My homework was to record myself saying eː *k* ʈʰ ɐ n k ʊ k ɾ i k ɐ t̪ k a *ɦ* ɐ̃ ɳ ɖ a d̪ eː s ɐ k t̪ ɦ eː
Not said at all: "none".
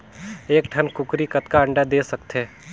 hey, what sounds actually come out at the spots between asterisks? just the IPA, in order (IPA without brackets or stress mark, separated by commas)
k, none